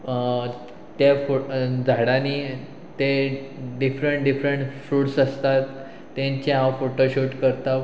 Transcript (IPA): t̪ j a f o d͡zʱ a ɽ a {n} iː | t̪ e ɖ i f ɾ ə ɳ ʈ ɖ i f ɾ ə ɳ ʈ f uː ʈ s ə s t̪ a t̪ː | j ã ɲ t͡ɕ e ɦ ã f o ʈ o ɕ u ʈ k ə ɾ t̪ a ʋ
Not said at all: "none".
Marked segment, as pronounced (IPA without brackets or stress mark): n